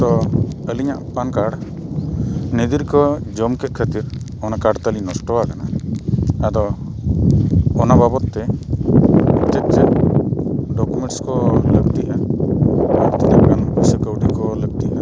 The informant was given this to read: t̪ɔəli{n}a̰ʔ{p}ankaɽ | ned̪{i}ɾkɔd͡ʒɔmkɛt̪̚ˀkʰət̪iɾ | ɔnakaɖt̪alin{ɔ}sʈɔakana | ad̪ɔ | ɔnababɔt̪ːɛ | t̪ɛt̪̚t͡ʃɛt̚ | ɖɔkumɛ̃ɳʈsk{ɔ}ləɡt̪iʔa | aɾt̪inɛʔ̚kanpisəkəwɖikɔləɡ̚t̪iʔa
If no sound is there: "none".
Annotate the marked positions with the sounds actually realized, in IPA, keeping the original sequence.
ɲ, p, i, ɔ, ɔ

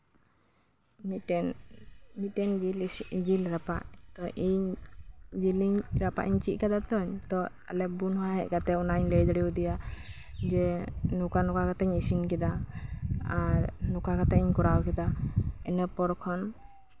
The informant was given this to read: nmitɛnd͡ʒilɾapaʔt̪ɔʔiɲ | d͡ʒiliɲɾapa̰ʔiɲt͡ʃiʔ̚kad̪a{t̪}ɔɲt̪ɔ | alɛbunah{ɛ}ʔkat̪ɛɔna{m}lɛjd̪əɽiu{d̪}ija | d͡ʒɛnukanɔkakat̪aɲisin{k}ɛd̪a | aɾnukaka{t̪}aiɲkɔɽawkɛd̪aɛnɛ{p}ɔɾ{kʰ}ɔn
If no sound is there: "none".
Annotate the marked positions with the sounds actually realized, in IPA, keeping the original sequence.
t̪, ɛ, ɲ, d̪, k, t̪, p, kʰ

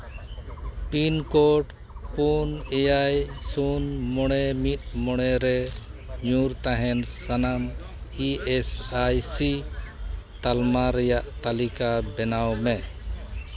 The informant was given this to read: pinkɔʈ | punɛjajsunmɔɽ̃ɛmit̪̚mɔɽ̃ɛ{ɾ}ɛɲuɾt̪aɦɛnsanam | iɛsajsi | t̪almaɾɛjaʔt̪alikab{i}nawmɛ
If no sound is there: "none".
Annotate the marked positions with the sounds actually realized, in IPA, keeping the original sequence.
ɾ, ɛ

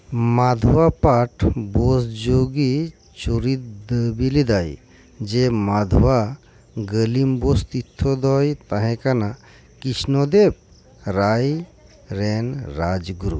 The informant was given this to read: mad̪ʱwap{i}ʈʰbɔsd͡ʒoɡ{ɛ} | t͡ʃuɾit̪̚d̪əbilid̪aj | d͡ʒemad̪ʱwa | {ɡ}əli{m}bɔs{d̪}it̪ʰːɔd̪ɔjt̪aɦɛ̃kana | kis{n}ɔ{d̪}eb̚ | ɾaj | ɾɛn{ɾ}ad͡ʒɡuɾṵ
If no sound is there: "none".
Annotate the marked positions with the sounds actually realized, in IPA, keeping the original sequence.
a, i, ɡ, m, t̪, n, d̪, ɾ

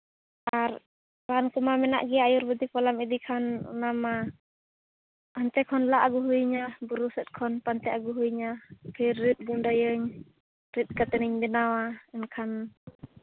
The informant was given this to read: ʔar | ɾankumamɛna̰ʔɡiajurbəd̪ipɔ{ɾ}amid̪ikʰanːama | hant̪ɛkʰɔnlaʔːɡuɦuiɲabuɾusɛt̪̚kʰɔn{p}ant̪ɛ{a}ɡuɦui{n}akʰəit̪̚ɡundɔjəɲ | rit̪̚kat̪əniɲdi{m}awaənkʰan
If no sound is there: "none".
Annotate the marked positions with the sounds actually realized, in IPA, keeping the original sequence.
l, p, a, ɲ, n

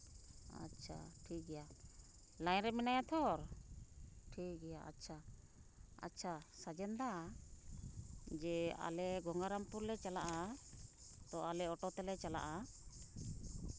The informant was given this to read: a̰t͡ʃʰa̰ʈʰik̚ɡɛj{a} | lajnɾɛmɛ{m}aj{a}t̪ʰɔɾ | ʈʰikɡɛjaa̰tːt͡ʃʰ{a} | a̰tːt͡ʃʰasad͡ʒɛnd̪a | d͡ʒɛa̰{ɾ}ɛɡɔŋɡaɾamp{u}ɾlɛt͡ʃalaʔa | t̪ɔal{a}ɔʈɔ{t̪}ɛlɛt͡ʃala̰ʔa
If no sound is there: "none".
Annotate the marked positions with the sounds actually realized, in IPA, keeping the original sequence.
a, n, a, a, l, u, ɛ, t̪

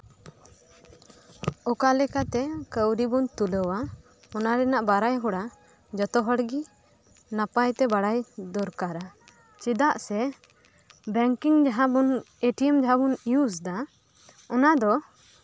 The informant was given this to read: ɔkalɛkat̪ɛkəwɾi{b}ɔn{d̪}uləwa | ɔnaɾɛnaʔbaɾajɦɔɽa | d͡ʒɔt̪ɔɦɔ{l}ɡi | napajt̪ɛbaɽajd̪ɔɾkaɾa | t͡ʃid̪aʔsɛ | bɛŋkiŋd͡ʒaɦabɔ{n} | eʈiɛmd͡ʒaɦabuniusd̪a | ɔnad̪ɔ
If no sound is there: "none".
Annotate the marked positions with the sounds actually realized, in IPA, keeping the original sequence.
b, t̪, ɽ, n

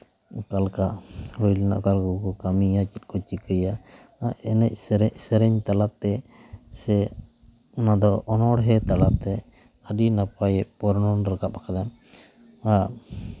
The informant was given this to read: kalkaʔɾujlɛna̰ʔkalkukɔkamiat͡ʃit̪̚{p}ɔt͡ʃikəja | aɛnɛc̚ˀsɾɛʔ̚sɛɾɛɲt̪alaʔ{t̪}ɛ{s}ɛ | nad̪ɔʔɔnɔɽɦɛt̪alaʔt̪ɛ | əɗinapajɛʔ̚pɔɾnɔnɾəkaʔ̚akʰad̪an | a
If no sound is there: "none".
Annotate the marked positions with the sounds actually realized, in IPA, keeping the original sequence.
k, t̪, s

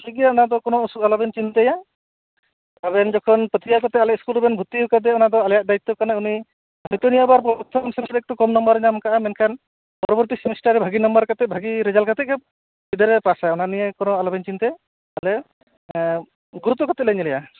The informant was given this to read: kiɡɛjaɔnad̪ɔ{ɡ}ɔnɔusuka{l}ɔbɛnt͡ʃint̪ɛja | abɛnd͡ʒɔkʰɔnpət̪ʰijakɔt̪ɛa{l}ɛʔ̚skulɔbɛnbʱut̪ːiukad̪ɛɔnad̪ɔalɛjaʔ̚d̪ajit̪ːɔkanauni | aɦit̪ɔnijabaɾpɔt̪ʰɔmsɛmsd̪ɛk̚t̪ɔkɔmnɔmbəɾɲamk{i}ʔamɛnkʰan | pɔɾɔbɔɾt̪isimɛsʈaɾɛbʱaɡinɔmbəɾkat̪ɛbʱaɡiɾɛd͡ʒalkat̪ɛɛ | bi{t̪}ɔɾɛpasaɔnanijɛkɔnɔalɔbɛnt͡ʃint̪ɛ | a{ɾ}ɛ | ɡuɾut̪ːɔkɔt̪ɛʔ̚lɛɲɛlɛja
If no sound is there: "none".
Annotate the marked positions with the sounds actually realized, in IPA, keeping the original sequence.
k, l, l, a, d̪, l

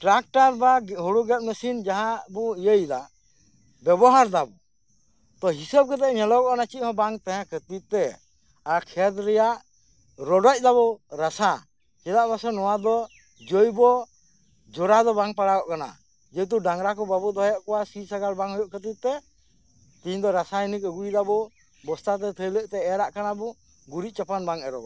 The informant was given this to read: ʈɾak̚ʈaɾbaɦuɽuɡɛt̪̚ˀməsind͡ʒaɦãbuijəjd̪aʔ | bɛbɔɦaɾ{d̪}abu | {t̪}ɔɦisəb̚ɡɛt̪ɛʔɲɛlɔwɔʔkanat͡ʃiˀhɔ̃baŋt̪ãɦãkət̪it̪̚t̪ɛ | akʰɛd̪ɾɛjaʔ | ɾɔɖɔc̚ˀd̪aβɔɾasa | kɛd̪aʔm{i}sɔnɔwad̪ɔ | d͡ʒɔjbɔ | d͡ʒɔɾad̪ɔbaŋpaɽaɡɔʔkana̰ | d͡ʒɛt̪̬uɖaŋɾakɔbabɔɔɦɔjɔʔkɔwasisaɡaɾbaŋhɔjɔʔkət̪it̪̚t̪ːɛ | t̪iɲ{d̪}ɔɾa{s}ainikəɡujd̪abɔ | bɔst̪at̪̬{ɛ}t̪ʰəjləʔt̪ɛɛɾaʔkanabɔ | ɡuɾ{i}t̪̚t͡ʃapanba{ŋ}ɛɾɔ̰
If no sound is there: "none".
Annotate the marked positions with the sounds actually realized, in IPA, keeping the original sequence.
d̪, t̪, a, d̪, s, ɛ, i, ŋ

